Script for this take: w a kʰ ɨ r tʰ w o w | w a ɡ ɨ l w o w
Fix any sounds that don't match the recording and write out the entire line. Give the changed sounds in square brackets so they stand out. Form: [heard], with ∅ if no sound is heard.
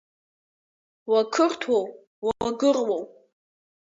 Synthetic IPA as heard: w a kʰ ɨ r tʰ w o w | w a ɡ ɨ [r] w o w